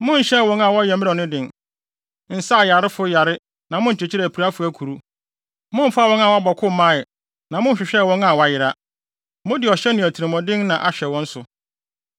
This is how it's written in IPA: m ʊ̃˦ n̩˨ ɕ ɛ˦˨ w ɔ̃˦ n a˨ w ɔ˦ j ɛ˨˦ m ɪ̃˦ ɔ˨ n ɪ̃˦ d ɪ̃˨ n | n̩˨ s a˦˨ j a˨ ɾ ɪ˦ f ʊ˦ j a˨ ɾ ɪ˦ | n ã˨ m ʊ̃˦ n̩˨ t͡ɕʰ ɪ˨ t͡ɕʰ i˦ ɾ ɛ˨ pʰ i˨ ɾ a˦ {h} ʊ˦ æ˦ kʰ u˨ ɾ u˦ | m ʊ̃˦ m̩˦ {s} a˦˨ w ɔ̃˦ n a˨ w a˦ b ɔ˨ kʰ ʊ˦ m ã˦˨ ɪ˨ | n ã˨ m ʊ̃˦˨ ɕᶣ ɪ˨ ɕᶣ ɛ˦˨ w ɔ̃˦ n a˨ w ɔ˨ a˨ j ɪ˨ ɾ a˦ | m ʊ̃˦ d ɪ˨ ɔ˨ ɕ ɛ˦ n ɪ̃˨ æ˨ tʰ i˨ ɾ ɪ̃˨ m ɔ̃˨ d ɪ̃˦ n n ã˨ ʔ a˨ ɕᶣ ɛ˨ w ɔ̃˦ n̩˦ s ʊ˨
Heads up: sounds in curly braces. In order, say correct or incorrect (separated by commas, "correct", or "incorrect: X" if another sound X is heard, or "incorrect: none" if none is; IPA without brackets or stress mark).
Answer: incorrect: f, incorrect: f